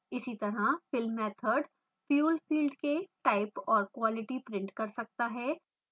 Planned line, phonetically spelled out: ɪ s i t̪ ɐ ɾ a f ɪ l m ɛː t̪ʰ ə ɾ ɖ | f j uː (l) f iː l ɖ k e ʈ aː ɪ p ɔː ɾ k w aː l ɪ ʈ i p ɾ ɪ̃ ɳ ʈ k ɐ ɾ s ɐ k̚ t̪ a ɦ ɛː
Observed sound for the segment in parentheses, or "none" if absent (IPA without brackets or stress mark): l